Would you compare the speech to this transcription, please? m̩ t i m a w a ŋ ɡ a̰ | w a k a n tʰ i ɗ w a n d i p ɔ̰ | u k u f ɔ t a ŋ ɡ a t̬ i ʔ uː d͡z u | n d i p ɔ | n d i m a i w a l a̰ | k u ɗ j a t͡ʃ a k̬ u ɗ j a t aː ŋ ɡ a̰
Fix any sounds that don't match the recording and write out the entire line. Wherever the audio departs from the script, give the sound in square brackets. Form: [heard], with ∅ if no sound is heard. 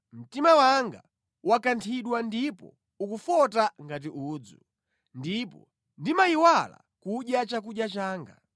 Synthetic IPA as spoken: m̩ t i m a w a ŋ ɡ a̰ | w a k a n tʰ i ɗ w a n d i p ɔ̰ | u k u f ɔ t a ŋ ɡ a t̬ i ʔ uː d͡z u | n d i p ɔ | n d i m a i w a l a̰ | k u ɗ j a t͡ʃ a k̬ u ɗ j a [t͡ʃ] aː ŋ ɡ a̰

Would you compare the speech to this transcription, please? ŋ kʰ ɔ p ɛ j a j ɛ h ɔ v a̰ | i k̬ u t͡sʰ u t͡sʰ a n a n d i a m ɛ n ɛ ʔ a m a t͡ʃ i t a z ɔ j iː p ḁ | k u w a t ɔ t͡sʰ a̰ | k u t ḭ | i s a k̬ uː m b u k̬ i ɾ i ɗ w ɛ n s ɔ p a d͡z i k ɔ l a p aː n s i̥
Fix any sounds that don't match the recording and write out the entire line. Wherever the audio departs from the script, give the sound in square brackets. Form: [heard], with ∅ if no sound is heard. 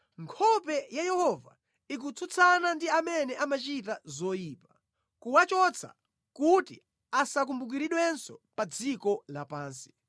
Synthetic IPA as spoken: ŋ kʰ ɔ p ɛ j a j ɛ h ɔ v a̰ | i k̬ u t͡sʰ u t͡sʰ a n a n d i a m ɛ n ɛ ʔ a m a t͡ʃ i t a z ɔ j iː p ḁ | k u w a [t͡ʃ] ɔ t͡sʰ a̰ | k u t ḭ | [a] s a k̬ [u] m b u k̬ i ɾ i ɗ w ɛ n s ɔ p a d͡z i k ɔ l a p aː n s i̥

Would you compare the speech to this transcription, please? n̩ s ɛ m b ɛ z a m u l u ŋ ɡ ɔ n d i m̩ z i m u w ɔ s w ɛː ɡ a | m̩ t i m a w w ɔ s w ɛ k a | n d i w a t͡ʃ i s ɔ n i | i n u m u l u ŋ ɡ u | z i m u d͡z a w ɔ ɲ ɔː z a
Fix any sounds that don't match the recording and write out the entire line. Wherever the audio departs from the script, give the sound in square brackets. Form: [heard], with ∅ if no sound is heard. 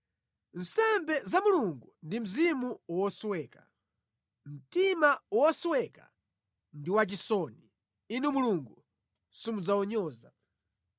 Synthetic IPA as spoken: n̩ s ɛ m b ɛ z a m u l u ŋ ɡ [u] n d i m̩ z i m u w ɔ s w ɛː [k] a | m̩ t i m a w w ɔ s w ɛ k a | n d i w a t͡ʃ i s ɔ n i | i n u m u l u ŋ ɡ u | [s] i m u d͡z a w ɔ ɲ ɔː z a

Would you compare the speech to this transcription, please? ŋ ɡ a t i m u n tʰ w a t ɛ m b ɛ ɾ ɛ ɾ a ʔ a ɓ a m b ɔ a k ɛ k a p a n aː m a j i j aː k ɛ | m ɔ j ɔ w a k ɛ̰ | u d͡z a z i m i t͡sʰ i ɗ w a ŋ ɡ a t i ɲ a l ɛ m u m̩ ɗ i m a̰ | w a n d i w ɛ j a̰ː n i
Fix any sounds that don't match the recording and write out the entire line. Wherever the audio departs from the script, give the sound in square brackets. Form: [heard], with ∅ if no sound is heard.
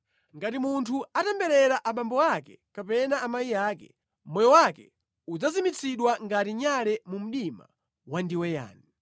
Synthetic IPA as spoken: ŋ ɡ a t i m u n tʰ [u] a t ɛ m b ɛ ɾ ɛ ɾ a ʔ a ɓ a m b ɔ a k ɛ k a p [ɛ] n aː m a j i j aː k ɛ | m ɔ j ɔ w a k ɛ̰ | u d͡z a z i m i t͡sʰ i ɗ w a ŋ ɡ a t i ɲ a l ɛ m u m̩ ɗ i m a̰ | w a n d i w ɛ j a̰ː n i

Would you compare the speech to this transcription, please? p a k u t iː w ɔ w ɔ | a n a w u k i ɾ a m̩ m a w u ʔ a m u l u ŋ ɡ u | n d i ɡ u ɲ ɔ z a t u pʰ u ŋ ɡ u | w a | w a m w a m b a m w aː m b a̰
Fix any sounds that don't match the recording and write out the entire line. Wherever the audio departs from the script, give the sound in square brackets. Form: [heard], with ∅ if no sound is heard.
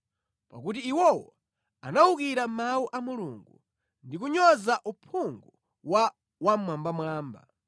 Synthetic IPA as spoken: p a k u t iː w ɔ w ɔ | a n a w u k i ɾ a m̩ m a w u ʔ a m u l u ŋ ɡ u | n d i [k] u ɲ ɔ z a [ʔ] u pʰ u ŋ ɡ u | w a | w a m w a m b a m w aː m b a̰

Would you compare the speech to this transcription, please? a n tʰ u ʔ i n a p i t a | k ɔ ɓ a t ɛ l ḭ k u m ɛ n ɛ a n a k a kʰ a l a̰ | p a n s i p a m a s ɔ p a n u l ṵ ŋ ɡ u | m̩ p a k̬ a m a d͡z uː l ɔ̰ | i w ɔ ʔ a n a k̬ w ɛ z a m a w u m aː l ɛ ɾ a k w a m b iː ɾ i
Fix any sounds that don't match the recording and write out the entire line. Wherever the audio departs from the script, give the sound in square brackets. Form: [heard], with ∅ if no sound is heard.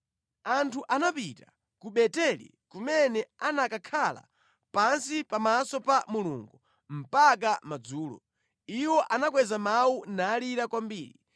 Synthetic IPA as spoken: a n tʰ u ʔ [a] n a p i t a | k [u] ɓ [ɛ] t ɛ l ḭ k u m ɛ n ɛ a n a k a kʰ a l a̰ | p a n s i p a m a s ɔ p a [m] u l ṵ ŋ ɡ u | m̩ p a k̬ a m a d͡z uː l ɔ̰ | i w ɔ ʔ a n a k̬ w ɛ z a m a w u [n] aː l [i] ɾ a k w a m b iː ɾ i

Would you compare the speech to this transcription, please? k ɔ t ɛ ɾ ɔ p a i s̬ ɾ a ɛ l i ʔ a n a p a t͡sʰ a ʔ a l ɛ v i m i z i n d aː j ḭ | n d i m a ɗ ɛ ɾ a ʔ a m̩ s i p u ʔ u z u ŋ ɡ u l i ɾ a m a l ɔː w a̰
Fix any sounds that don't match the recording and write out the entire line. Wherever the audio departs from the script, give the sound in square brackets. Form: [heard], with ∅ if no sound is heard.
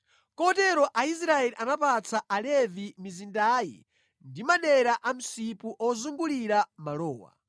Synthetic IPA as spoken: k ɔ t ɛ ɾ ɔ [ʔ] a i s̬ ɾ a ɛ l i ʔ a n a p a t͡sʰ a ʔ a l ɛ v i m i z i n d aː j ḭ | n d i m a ɗ ɛ ɾ a ʔ a m̩ s i p u ʔ [ɔ] z u ŋ ɡ u l i ɾ a m a l ɔː w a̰

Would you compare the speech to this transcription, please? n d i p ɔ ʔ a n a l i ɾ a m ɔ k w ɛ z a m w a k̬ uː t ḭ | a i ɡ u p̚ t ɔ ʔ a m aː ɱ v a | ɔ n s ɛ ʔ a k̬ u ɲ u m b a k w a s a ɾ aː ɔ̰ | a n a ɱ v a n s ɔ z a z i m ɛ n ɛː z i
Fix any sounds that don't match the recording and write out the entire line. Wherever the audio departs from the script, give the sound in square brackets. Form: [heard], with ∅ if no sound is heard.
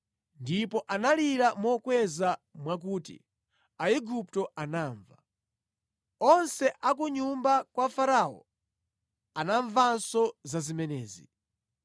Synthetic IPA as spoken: n d i p ɔ ʔ a n a l i ɾ a m ɔ k w ɛ z a m w a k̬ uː t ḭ | a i ɡ u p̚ t ɔ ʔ a [n] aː ɱ v a | ɔ n s ɛ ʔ a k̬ u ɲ u m b a k w a [f] a ɾ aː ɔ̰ | a n a ɱ v a n s ɔ z a z i m ɛ n ɛː z i

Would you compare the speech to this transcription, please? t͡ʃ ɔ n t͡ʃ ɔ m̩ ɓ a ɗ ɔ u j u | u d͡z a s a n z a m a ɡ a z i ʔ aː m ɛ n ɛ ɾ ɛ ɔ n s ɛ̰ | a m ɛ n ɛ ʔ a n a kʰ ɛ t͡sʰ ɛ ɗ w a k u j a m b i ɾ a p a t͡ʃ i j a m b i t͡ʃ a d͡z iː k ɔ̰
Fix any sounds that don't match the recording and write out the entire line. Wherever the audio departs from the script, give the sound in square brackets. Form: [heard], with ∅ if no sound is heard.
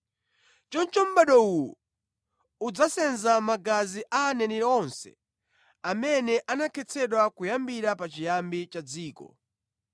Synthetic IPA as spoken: t͡ʃ ɔ n t͡ʃ ɔ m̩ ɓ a ɗ ɔ u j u | u d͡z a s [ɛ] n z a m a ɡ a z i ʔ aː [n] ɛ n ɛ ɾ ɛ ɔ n s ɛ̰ | a m ɛ n ɛ ʔ a n a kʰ ɛ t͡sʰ ɛ ɗ w a k u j a m b i ɾ a p a t͡ʃ i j a m b i t͡ʃ a d͡z iː k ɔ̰

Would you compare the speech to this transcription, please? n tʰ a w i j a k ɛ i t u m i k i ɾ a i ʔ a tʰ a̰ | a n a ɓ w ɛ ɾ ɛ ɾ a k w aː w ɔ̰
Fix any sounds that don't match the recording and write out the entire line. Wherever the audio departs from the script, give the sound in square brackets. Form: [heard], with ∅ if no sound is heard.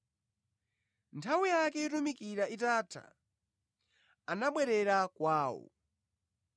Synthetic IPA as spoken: n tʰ a w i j a k ɛ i t u m i k i ɾ a i [t] a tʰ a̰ | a n a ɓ w ɛ ɾ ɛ ɾ a k w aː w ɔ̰

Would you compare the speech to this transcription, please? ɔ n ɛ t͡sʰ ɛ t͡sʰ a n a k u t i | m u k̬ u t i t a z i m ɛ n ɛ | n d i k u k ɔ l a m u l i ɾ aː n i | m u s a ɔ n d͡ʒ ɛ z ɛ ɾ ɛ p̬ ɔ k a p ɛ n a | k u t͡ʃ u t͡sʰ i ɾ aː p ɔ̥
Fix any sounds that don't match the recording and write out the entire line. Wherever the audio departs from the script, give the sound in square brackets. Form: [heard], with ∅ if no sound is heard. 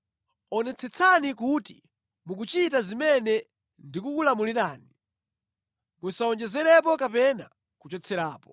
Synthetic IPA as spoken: ɔ n ɛ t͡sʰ ɛ t͡sʰ a n [i] k u t i | m u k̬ u [t͡ʃ] i t a z i m ɛ n ɛ | n d i k u k [u] l a m u l i ɾ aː n i | m u s a ɔ n d͡ʒ ɛ z ɛ ɾ ɛ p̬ ɔ k a p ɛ n a | k u t͡ʃ [ɔ] t͡sʰ [ɛ] ɾ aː p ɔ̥

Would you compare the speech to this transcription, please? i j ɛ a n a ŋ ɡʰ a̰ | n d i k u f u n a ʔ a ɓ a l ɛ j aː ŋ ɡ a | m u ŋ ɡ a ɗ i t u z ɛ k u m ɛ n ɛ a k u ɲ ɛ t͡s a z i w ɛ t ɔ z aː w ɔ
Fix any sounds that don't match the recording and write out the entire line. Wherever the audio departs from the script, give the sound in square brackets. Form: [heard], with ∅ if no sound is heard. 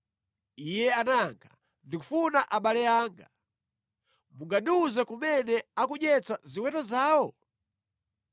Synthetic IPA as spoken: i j ɛ a n a ŋ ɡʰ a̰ | n d i k u f u n a ʔ a ɓ a l ɛ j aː ŋ ɡ a | m u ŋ ɡ a ɗ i [∅] u z ɛ k u m ɛ n ɛ a k u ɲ ɛ t͡s a z i w ɛ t ɔ z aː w ɔ

